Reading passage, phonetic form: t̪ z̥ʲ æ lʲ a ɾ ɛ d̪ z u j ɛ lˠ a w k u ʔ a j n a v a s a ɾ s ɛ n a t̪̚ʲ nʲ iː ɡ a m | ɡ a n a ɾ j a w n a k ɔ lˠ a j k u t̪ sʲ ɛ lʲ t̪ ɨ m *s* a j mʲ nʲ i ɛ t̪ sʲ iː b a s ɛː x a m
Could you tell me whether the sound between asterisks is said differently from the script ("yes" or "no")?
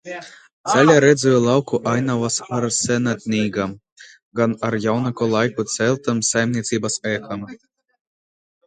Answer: no